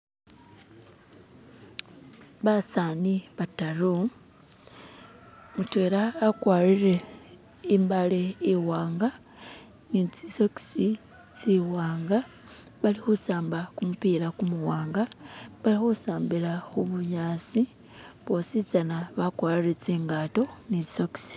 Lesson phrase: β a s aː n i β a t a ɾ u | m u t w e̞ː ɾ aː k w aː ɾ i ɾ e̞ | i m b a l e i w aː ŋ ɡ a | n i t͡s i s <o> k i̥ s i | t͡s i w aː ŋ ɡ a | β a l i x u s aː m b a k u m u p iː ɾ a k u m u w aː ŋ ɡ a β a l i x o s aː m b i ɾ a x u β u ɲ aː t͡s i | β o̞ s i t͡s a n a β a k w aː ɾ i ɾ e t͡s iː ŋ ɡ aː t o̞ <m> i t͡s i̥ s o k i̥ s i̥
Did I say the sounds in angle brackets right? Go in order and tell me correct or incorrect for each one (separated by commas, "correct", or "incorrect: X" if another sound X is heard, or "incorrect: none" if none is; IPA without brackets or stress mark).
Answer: correct, incorrect: n